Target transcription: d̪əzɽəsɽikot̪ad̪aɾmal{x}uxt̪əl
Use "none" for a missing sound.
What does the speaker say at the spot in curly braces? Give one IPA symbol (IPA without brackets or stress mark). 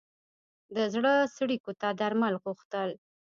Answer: ɣ